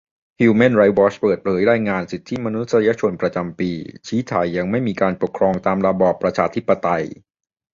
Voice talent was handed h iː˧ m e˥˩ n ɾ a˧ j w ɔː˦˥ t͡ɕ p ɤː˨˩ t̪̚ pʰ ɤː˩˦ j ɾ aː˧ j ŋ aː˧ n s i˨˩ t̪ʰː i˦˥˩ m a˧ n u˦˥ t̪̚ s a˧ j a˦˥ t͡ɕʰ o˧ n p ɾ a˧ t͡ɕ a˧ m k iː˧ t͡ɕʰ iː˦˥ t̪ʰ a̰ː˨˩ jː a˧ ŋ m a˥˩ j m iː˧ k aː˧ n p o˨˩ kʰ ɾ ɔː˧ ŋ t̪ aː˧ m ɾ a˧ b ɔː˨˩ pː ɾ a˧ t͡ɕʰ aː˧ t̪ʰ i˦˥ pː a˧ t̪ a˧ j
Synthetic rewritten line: h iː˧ m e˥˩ n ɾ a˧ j w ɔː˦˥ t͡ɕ p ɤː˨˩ t̪̚ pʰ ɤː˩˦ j ɾ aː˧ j ŋ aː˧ n s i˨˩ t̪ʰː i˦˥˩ m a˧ n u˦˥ t̪̚ s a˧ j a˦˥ t͡ɕʰ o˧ n p ɾ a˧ t͡ɕ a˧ m p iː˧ t͡ɕʰ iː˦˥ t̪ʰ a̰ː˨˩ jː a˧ ŋ m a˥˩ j m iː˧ k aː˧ n p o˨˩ kʰ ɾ ɔː˧ ŋ t̪ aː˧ m ɾ a˧ b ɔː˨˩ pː ɾ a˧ t͡ɕʰ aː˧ t̪ʰ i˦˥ pː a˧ t̪ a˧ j

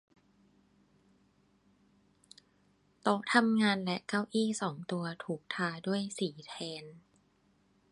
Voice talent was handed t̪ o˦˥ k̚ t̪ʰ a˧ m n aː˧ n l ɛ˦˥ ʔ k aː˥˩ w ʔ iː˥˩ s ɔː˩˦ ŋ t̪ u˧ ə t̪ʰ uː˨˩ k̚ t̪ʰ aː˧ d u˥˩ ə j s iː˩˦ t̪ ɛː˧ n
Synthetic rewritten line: t̪ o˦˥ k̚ t̪ʰ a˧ m ŋ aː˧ n l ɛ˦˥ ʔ k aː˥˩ w ʔ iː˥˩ s ɔː˩˦ ŋ t̪ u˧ ɐ t̪ʰ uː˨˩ k̚ t̪ʰ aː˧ d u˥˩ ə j s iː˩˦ t̪ʰ ɛː˧ n

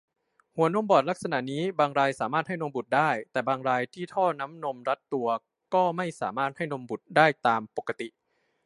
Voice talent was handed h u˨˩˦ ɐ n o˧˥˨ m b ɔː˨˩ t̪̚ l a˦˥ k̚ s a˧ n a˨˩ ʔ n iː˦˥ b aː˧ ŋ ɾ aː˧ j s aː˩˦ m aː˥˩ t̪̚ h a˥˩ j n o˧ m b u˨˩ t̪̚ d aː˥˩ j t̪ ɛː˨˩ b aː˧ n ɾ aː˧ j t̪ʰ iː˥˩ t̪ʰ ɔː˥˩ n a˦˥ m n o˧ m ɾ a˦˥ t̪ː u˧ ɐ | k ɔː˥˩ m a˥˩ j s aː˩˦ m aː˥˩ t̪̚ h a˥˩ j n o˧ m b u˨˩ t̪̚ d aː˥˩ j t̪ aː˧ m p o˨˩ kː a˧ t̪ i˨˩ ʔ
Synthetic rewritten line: h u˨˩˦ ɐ n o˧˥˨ m b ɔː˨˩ t̪̚ l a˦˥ k̚ s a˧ n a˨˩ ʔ n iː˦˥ b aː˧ ŋ ɾ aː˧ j s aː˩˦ m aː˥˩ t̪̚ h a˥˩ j n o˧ m b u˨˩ t̪̚ d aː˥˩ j t̪ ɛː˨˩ b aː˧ ŋ ɾ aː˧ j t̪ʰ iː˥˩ t̪ʰ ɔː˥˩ n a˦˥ m n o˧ m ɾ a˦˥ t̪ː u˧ ɐ | k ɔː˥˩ m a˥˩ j s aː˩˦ m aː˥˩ t̪̚ h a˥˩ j n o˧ m b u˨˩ t̪̚ d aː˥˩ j t̪ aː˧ m p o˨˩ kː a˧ t̪ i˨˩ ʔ

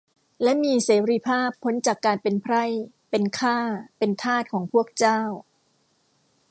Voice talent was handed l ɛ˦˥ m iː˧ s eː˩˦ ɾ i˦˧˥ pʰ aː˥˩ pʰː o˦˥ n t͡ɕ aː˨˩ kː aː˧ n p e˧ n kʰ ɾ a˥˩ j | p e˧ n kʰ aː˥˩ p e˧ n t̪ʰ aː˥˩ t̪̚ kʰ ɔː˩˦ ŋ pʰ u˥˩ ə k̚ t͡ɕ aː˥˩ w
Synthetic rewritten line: l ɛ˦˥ m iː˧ s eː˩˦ ɾ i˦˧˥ pʰ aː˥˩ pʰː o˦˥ n t͡ɕ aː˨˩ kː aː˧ n p e˧ n pʰ ɾ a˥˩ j | p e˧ n kʰ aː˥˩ p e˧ n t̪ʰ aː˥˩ t̪̚ kʰ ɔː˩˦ ŋ pʰ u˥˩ ə k̚ t͡ɕ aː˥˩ w

